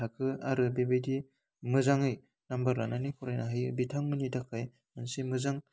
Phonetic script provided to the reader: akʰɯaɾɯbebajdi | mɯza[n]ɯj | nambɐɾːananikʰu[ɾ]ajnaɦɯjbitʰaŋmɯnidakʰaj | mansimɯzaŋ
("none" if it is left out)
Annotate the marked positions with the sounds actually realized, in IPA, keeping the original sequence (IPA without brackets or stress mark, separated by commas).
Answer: ŋ, ɾ